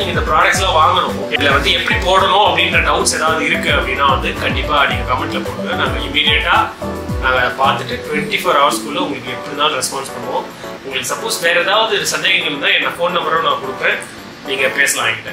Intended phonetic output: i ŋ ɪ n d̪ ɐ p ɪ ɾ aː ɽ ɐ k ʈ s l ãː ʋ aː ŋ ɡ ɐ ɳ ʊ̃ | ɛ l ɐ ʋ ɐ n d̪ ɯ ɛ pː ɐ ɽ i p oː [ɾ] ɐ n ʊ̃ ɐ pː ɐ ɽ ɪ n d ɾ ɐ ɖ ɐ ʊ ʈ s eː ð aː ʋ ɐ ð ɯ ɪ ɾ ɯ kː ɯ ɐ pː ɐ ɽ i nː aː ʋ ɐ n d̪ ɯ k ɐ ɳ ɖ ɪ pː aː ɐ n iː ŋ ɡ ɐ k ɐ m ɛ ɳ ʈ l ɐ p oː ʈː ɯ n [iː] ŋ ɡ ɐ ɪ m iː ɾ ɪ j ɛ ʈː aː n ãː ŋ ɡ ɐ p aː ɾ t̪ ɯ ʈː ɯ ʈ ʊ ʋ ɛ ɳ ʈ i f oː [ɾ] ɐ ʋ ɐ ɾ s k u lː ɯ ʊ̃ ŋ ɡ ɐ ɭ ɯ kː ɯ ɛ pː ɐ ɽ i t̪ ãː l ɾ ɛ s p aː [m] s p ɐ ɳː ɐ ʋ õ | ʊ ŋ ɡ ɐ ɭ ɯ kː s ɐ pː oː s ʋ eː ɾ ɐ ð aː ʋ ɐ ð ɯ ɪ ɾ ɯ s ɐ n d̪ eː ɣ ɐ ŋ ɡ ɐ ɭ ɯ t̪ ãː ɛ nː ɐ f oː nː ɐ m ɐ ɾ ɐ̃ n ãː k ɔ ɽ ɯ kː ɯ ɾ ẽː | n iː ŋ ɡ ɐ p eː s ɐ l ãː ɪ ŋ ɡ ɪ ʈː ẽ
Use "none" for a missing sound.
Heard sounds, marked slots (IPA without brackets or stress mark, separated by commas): ɽ, aː, ɾ, n